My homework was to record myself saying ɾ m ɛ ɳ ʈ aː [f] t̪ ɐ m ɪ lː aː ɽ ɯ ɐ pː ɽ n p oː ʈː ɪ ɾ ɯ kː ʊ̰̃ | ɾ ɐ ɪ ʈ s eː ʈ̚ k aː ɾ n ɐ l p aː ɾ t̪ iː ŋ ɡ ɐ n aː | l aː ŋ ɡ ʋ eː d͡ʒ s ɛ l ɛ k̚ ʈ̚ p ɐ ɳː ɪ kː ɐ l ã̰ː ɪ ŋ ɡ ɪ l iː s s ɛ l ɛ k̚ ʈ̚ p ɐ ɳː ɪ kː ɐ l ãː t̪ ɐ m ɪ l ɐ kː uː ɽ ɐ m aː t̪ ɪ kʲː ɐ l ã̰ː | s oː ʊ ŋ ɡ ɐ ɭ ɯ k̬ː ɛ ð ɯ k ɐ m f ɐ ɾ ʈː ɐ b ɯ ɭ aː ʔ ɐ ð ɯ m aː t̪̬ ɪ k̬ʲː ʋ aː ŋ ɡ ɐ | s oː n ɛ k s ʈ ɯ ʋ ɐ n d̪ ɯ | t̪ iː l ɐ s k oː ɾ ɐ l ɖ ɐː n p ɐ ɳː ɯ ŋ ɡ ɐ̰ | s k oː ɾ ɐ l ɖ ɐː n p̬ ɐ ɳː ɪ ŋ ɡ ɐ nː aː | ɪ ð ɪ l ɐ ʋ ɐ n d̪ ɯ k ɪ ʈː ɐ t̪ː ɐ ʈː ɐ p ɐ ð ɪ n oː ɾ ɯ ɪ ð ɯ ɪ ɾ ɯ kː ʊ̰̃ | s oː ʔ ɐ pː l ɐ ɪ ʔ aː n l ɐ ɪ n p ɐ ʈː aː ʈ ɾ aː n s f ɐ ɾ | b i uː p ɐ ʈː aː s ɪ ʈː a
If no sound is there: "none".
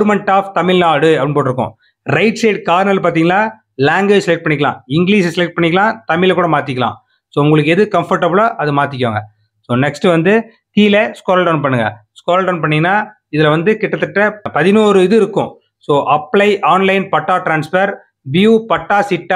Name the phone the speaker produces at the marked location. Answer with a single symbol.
f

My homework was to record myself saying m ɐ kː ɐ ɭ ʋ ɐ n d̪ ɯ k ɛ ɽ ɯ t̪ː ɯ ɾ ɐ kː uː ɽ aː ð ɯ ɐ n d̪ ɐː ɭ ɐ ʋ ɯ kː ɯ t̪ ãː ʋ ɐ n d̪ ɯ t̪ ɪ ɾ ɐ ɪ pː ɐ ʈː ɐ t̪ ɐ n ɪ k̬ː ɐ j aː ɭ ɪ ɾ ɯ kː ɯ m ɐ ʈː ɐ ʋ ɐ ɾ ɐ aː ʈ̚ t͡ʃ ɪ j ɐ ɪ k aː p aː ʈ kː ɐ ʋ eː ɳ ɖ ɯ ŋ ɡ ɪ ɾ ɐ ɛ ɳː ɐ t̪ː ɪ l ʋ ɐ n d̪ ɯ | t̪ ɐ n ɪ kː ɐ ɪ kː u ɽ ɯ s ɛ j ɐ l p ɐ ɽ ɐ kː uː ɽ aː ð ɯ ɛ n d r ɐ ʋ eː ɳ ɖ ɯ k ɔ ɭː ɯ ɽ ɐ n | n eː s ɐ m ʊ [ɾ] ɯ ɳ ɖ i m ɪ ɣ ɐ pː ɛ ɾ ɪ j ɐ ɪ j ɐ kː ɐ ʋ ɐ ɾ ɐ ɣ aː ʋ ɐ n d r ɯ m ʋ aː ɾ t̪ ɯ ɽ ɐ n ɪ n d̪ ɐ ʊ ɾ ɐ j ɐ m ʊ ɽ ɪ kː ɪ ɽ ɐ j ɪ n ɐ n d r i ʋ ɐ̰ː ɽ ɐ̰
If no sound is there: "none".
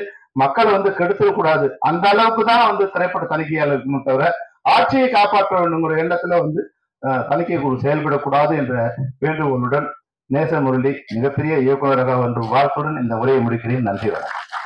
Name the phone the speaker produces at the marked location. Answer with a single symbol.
ɾ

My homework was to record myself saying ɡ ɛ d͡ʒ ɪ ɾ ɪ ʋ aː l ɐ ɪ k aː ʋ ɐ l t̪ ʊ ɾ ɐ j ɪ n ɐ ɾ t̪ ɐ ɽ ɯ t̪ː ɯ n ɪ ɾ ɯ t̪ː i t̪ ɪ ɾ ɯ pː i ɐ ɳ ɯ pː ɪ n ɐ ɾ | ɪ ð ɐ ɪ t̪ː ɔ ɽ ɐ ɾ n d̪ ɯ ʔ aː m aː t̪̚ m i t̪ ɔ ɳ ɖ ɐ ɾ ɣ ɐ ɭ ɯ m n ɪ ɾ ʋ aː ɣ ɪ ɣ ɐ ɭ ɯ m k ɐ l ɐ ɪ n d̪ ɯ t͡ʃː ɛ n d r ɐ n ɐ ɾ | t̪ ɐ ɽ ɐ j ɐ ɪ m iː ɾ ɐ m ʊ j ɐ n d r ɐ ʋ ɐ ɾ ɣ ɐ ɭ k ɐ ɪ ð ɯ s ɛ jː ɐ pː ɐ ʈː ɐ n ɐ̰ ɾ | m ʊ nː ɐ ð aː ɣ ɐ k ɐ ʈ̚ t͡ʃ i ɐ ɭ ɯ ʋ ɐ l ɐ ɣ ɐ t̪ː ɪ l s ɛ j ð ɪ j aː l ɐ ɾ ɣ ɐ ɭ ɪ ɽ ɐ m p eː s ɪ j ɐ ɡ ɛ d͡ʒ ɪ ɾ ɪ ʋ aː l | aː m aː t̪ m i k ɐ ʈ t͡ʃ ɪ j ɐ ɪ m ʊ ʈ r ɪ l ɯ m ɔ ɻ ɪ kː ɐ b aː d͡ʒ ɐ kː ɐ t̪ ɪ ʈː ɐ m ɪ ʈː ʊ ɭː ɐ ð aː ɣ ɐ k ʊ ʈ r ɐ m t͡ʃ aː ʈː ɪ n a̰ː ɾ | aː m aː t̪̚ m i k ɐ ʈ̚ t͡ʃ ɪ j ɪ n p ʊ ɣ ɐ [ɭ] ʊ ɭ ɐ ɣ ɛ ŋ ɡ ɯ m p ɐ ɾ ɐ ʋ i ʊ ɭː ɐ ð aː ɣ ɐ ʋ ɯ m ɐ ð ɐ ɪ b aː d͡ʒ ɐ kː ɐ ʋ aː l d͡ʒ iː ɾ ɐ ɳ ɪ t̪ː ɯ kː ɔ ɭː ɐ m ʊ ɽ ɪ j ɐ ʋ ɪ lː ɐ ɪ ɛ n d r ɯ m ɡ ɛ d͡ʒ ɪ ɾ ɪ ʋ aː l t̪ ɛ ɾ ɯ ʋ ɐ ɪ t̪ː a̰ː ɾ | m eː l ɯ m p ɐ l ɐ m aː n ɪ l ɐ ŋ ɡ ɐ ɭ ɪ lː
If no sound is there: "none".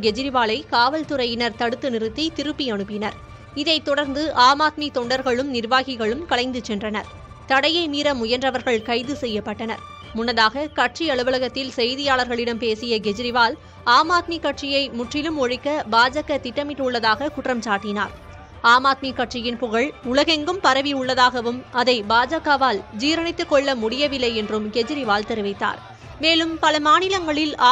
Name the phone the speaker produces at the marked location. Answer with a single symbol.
ɭ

